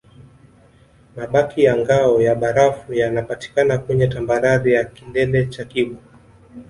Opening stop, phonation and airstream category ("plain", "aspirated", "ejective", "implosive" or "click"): implosive